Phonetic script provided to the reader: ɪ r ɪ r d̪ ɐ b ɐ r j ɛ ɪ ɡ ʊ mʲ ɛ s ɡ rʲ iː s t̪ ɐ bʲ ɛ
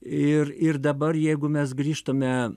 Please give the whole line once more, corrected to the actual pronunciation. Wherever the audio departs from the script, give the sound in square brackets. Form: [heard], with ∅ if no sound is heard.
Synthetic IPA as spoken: ɪ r ɪ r d̪ ɐ b ɐ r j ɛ ɪ ɡ ʊ mʲ ɛ s ɡ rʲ iː [ʃ] t̪ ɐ [mʲ] ɛ